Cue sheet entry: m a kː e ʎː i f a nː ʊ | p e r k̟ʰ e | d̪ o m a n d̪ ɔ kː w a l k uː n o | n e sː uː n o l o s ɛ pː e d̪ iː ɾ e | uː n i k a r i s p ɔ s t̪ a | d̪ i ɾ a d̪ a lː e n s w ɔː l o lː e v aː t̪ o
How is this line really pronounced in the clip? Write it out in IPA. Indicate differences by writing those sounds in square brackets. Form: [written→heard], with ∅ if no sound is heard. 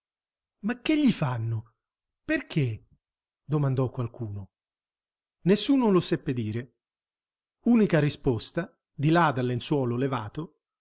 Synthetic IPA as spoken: m a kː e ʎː i f a nː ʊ | p e r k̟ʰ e | d̪ o m a n d̪ ɔ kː w a l k uː n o | n e sː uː n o l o s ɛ pː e d̪ iː ɾ e | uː n i k a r i s p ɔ s t̪ a | d̪ i [ɾ→l] a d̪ a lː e n s w ɔː l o [lː→l] e v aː t̪ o

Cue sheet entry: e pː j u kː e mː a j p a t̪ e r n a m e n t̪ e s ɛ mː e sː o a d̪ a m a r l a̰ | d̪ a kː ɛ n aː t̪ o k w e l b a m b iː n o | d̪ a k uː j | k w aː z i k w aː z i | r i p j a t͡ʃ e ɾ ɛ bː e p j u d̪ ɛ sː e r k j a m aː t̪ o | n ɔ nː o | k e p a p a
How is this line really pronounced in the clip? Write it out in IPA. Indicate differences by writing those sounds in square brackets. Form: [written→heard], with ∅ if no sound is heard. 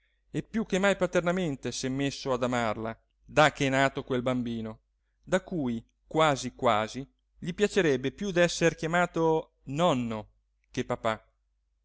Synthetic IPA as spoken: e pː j u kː e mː a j p a t̪ e r n a m e n t̪ e s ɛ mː e sː o a d̪ a m a r l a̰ | d̪ a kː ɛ n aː t̪ o k w e l b a m b iː n o | d̪ a k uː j | k w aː z i k w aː z i | [r→ʎ] i p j a t͡ʃ e ɾ ɛ bː e p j u d̪ ɛ sː e r k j a m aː t̪ o | n ɔ nː o | k e p a p a

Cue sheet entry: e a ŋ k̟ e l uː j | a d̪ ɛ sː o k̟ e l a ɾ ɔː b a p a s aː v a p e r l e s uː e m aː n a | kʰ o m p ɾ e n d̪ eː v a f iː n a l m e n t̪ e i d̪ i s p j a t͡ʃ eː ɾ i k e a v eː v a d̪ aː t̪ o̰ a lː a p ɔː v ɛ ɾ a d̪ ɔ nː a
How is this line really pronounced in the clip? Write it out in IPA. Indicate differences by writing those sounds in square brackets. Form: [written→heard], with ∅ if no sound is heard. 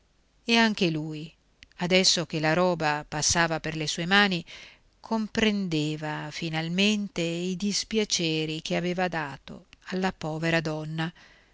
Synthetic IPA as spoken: e a ŋ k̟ e l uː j | a d̪ ɛ sː o k̟ e l a ɾ ɔː b a p a [s→sː] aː v a p e r l e s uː e m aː n [a→i] | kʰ o m p ɾ e n d̪ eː v a f [iː→i] n a l m e n t̪ e i d̪ i s p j a t͡ʃ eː ɾ i k e a v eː v a d̪ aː t̪ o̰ a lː a p ɔː v [ɛ→e] ɾ a d̪ ɔ nː a

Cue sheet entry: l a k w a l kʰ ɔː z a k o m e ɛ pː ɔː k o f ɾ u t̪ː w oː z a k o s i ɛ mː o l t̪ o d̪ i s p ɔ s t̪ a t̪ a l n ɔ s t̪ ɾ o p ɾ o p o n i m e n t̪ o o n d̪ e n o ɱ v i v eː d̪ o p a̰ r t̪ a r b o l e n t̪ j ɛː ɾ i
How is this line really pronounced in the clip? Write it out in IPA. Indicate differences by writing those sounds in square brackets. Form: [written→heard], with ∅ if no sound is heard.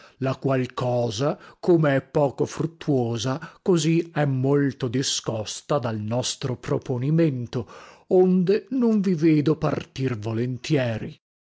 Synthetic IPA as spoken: l a k w a l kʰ ɔː z a k o m e ɛ pː ɔː k o f ɾ u t̪ː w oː z a k o [s→z] i ɛ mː o l t̪ o d̪ i s [p→k] ɔ s t̪ a [t̪→d̪] a l n ɔ s t̪ ɾ o p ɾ o p o n i m e n t̪ o o n d̪ e n o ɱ v i v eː d̪ o p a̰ r t̪ [a→i] r [b→v] o l e n t̪ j ɛː ɾ i

